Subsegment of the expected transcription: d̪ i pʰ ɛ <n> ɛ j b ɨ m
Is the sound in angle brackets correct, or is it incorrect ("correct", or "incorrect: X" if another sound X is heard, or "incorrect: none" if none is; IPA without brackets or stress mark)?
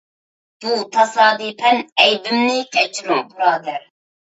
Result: correct